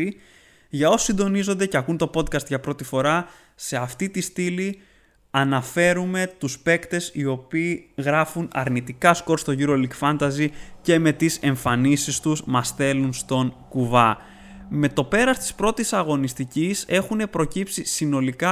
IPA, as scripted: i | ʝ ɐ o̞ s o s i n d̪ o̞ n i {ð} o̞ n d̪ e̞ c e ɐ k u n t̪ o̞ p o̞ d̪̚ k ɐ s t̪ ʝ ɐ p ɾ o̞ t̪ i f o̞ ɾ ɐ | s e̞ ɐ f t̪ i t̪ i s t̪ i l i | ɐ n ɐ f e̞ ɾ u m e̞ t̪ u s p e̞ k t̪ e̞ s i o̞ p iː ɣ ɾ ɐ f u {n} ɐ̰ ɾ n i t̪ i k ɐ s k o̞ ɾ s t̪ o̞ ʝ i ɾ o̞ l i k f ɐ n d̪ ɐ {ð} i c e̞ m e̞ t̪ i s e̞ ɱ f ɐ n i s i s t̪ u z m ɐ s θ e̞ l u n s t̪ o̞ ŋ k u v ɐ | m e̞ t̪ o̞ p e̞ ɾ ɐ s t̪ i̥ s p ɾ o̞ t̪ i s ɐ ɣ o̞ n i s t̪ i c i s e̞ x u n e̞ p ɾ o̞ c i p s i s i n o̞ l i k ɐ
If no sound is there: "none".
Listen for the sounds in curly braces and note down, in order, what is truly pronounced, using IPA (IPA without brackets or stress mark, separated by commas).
z, n, z